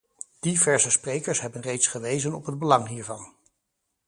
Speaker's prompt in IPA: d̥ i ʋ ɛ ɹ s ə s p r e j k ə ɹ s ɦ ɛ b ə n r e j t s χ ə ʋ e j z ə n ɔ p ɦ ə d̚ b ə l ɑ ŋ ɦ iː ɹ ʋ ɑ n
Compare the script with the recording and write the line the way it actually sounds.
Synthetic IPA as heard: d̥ i v ɛ ɹ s ə s p r e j k ə ɹ s ɦ ɛ b ə n r e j t s χ ə ʋ e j z ə n ɔ p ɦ ə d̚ b ə l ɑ ŋ ɦ iː ɹ v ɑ n